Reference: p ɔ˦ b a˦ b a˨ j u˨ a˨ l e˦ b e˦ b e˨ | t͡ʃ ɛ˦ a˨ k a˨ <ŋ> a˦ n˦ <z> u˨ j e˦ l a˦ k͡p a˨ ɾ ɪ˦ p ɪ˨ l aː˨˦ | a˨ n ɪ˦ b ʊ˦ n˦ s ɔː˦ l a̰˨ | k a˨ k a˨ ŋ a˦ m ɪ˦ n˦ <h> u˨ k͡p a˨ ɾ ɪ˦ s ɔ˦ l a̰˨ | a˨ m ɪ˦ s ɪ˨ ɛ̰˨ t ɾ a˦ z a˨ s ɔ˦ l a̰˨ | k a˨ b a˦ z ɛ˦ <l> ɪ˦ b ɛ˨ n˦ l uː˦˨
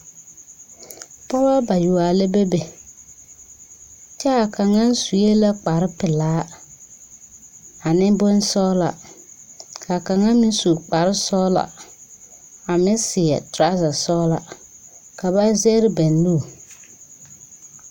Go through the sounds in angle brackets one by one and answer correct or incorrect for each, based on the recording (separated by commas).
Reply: correct, incorrect, incorrect, incorrect